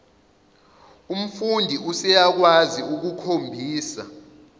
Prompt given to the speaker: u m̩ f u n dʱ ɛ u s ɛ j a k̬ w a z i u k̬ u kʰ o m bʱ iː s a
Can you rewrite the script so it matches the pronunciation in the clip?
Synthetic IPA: u m̩ f u n dʱ i u s ɛ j a k̬ w a z i u k̬ u kʰ o m bʱ iː s a